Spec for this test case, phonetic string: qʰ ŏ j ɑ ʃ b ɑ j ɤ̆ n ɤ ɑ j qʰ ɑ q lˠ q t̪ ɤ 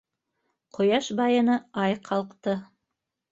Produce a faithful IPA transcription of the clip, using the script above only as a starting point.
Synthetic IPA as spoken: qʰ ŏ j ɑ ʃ b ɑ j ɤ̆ n ɤ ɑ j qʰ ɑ lˠ q t̪ ɤ